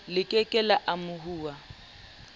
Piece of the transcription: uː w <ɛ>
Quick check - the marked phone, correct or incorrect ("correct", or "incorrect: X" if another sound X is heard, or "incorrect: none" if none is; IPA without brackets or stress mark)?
incorrect: a